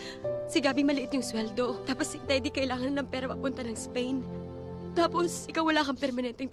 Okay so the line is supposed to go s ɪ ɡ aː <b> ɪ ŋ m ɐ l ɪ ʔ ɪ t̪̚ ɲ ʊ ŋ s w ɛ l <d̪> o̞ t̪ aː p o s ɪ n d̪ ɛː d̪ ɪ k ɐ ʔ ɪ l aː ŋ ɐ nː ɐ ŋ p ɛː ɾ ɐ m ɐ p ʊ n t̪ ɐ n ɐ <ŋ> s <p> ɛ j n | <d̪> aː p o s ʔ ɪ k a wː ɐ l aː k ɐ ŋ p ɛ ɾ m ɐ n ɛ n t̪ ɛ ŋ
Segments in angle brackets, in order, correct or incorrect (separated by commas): correct, correct, correct, correct, incorrect